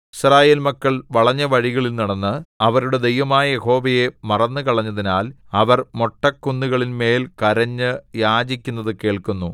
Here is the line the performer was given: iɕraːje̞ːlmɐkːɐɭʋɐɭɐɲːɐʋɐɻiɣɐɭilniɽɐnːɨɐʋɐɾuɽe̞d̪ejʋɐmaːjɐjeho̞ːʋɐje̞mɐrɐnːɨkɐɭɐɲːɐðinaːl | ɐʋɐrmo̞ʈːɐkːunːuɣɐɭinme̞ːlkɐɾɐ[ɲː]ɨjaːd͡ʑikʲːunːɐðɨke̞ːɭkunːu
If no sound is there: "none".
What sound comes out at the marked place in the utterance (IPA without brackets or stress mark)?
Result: ɲː